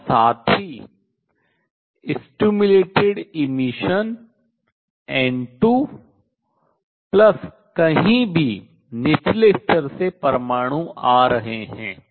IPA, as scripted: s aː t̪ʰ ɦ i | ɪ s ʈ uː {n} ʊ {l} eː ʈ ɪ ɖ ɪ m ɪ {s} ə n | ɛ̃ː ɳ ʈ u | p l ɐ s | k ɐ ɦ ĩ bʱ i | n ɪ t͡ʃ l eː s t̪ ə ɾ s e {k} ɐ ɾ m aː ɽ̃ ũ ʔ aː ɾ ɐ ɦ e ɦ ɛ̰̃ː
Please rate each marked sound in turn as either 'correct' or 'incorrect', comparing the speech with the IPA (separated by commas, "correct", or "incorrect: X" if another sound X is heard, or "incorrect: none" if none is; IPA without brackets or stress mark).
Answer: incorrect: m, correct, incorrect: ʃ, incorrect: p